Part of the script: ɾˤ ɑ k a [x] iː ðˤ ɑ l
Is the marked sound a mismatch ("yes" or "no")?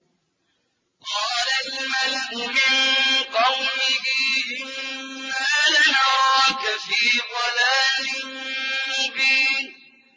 yes